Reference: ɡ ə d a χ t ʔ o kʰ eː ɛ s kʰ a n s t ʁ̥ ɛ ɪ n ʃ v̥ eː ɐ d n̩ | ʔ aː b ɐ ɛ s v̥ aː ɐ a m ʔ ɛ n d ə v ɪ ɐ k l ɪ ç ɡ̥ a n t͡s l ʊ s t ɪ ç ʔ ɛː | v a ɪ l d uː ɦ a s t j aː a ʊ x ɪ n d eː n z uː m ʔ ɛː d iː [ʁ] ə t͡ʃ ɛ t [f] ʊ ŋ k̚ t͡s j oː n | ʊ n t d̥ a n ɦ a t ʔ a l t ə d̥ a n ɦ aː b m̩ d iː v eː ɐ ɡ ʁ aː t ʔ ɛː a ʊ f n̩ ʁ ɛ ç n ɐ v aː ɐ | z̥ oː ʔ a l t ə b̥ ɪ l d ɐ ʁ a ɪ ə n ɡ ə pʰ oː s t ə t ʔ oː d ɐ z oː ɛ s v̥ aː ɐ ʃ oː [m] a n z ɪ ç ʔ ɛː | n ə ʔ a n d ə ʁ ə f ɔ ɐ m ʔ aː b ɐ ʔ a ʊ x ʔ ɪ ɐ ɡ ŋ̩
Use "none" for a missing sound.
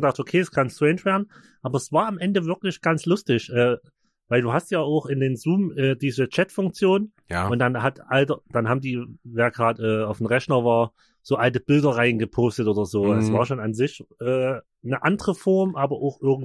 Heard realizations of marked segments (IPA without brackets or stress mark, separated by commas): z, f, n